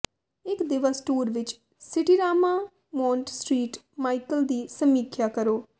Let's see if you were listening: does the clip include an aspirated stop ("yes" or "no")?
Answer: yes